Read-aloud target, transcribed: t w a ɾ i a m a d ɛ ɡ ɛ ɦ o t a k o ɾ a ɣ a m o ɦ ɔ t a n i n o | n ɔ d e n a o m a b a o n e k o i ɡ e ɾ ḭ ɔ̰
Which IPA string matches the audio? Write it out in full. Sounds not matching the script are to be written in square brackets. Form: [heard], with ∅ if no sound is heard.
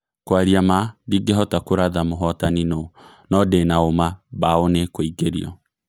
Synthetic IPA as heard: [k] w a ɾ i a m a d [i] ɡ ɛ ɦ [ɔ] t a k o ɾ a [ð] a m o ɦ ɔ t a n i n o | n ɔ d e n a o m a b a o n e k o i ɡ e ɾ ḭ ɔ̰